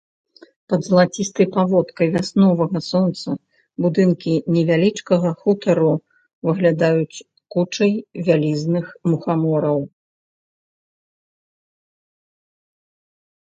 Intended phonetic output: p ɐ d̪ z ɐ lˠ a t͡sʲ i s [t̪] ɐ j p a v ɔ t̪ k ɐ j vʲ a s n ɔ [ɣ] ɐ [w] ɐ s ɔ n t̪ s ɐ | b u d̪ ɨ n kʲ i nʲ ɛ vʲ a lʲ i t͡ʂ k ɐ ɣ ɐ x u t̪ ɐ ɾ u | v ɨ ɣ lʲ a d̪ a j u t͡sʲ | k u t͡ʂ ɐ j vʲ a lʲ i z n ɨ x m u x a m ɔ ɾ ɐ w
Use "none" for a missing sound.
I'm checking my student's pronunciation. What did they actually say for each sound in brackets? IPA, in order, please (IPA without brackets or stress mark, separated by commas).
t̪, v, ɣ